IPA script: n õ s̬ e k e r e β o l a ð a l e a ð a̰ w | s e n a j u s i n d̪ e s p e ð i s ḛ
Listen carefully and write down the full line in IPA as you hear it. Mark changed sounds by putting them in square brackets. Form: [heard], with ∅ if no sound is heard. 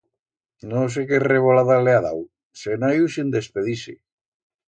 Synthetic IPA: n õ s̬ e k e r e β o l a ð a l e a ð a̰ w | s e n a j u s i n d̪ e s p e ð i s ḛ

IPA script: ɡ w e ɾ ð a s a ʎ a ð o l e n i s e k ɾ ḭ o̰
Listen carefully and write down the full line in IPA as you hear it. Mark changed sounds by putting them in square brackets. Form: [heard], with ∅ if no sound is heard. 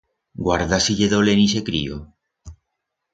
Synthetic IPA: ɡ w [a] ɾ ð a s [i] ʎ [e] ð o l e n i s e k ɾ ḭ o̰

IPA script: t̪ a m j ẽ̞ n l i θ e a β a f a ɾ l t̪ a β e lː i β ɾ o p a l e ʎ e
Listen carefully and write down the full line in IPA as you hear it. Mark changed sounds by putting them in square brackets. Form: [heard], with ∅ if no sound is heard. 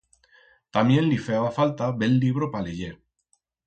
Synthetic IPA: t̪ a m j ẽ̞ n l i [f] e a β a f a [∅] l t̪ a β e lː i β ɾ o p a l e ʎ e

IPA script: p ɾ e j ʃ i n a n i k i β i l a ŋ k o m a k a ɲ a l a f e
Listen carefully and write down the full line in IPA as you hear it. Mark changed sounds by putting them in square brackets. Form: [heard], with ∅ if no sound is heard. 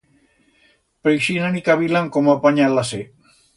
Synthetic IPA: p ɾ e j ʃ i n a n i k [a] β i l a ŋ k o m a [p] a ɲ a l a [s] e

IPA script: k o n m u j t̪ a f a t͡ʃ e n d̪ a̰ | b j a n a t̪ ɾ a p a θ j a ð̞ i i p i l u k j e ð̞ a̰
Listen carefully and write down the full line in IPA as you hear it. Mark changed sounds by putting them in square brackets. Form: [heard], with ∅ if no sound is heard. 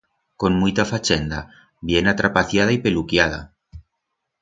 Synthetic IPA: k o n m u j t̪ a f a t͡ʃ e n d̪ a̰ | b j [e] n a t̪ ɾ a p a θ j a ð̞ [a] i p [e] l u k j [a] ð̞ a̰

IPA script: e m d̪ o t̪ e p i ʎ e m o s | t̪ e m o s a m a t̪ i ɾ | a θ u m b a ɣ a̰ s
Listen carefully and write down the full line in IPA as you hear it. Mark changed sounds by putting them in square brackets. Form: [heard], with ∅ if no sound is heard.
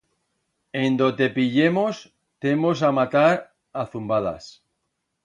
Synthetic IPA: e [n] d̪ o t̪ e p i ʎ e m o s | t̪ e m o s a m a t̪ [a] ɾ | a θ u m b a [ð] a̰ s

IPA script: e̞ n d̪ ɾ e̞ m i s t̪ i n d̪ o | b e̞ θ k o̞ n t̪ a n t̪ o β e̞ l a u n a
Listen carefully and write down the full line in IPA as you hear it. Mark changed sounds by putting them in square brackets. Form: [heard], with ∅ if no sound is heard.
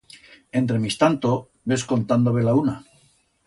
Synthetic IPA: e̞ n [t̪] ɾ e̞ m i s t̪ [a] n [t̪] o | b e̞ [s] k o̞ n t̪ a n [d̪] o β e̞ l a u n a

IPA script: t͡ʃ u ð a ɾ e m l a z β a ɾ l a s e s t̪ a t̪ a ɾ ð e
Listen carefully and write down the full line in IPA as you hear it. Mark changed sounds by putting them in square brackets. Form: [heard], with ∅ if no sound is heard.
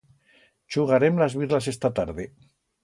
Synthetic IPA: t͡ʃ u [ɣ] a ɾ e m l a z β [i] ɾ l a s e s t̪ a t̪ a ɾ ð e

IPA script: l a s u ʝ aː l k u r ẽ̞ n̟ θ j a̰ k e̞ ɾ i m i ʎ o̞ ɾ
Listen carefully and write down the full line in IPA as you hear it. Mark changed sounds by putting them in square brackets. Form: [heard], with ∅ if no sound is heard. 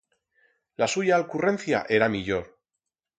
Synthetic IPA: l a s u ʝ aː l k u r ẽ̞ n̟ θ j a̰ [ʔ] e̞ ɾ [a] m i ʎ o̞ ɾ

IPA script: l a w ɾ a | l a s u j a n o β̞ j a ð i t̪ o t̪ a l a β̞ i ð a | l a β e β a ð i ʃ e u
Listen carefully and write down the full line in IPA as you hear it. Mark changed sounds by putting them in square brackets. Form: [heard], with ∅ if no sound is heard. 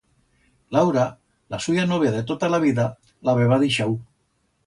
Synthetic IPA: l a w ɾ a | l a s u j a n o β̞ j a ð [e] t̪ o t̪ a l a β̞ i ð a | l a β e β a ð i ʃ [a] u

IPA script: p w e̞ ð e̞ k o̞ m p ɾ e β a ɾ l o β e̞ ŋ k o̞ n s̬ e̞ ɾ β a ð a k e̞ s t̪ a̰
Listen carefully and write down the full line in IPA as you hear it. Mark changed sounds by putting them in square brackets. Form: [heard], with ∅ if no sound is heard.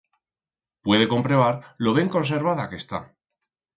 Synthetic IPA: p w e̞ ð e̞ k o̞ m p ɾ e β a ɾ l o β e̞ ŋ k o̞ n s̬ e̞ ɾ β a ð a k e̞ s t̪ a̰

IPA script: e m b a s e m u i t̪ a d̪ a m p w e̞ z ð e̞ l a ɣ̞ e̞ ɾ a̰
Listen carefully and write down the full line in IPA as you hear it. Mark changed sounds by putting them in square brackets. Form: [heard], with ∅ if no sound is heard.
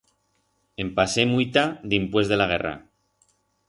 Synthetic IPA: e m [p] a s e m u i t̪ a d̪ [i] m p w e̞ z ð e̞ l a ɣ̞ e̞ [r] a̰

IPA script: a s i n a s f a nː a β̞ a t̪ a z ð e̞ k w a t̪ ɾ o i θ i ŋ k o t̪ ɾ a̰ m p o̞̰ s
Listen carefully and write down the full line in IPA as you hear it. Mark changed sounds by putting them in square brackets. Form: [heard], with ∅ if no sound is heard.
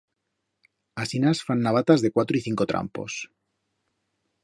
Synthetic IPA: a s i n a s f a nː a β̞ a t̪ a z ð e̞ k w a t̪ ɾ o i θ i ŋ k o t̪ ɾ a̰ m p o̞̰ s

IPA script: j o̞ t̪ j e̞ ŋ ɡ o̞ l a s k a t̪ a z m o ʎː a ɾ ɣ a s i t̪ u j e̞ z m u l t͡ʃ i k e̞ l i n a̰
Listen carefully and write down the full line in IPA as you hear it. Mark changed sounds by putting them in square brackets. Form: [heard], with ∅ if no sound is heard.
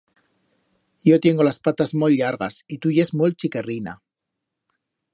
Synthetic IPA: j o̞ t̪ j e̞ ŋ ɡ o̞ l a s [p] a t̪ a z m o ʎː a ɾ ɣ a s i t̪ u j e̞ z m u l t͡ʃ i k e̞ [r] i n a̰

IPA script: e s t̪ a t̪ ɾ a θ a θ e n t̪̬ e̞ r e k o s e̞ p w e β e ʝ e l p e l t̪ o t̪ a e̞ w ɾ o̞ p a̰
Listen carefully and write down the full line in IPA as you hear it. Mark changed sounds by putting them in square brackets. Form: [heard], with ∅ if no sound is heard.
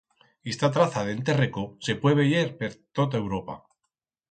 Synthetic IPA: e s t̪ a t̪ ɾ a θ a [ð] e n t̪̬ e̞ r e k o s e̞ p w e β e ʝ e [ɾ] p e [ɾ] t̪ o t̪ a e̞ w ɾ o̞ p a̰

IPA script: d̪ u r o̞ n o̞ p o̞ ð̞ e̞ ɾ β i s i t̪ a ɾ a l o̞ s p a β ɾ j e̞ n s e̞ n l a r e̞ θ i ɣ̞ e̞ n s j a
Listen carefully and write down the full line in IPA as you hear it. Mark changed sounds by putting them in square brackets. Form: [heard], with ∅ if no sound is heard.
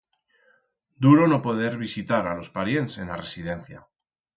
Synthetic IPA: d̪ u [ɾ] o̞ n o̞ p o̞ ð̞ e̞ ɾ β i s i t̪ a ɾ a l o̞ s p a [∅] ɾ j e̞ n s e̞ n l a r e̞ [s] i [ð̞] e̞ n [θ] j a

